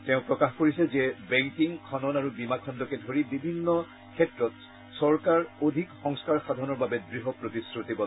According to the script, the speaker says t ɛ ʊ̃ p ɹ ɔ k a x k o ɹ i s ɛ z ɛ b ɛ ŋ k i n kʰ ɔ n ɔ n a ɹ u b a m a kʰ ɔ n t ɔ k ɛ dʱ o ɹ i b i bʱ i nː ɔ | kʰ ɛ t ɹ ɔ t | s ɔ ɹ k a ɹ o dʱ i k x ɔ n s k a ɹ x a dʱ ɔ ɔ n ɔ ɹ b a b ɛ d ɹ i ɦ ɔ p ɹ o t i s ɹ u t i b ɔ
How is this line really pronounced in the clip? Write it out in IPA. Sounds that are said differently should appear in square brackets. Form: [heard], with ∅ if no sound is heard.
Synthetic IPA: t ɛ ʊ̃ p ɹ ɔ k a x k o ɹ i s ɛ z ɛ b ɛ ŋ k i [ŋ] kʰ ɔ n ɔ n a ɹ u b [i] m a kʰ ɔ n [d] ɔ k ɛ dʱ o ɹ i b i bʱ i nː ɔ | kʰ ɛ t ɹ ɔ t | s ɔ ɹ k a ɹ o dʱ i k x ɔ [ŋ] s k a ɹ x a dʱ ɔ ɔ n ɔ ɹ b a b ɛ d ɹ i ɦ ɔ p ɹ o t i s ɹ u t i b ɔ